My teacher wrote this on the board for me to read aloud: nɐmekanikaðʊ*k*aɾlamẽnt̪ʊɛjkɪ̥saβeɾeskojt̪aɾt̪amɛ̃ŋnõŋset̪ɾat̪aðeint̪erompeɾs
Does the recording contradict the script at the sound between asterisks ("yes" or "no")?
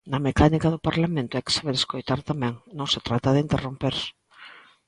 yes